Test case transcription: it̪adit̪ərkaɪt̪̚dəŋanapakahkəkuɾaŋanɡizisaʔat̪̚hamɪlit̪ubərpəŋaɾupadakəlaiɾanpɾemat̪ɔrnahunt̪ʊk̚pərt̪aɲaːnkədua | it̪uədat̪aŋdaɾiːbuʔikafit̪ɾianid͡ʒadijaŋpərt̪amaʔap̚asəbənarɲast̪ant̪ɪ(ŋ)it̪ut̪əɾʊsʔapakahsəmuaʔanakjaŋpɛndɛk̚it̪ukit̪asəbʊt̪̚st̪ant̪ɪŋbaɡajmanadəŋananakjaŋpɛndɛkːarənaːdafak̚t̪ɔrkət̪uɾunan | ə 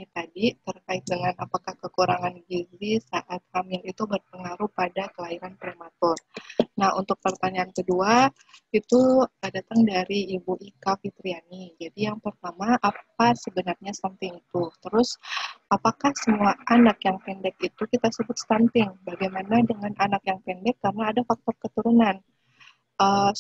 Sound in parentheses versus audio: correct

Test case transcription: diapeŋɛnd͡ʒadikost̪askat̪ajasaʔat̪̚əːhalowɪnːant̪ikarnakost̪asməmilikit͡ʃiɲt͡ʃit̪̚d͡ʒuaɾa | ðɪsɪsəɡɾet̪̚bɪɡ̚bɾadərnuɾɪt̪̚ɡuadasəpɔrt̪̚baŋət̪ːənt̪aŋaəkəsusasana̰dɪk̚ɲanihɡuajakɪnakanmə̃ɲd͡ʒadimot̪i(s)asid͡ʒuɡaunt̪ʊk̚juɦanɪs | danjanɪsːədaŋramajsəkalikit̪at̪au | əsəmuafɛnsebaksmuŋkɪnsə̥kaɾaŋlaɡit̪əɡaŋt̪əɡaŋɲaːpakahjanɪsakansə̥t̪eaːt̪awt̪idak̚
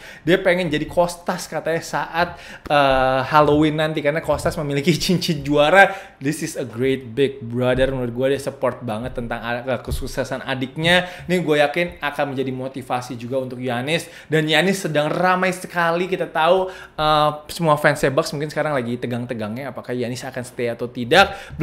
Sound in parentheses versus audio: incorrect: f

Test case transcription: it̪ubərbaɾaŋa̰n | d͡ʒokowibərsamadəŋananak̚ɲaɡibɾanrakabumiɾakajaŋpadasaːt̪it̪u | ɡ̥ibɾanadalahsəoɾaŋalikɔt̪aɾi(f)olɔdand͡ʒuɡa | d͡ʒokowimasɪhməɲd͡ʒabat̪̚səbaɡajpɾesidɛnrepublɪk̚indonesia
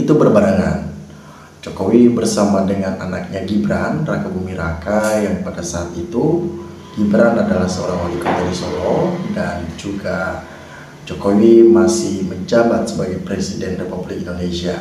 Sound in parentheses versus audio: incorrect: s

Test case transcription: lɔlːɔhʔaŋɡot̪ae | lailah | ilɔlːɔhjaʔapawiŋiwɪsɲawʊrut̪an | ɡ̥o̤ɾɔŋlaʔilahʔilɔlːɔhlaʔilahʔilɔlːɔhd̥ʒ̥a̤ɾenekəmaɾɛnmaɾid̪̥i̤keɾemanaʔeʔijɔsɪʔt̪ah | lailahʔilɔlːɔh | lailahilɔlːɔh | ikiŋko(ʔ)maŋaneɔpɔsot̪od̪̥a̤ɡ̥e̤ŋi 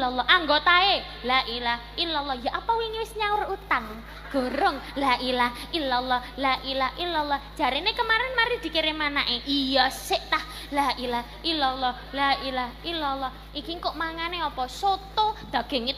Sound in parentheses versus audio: correct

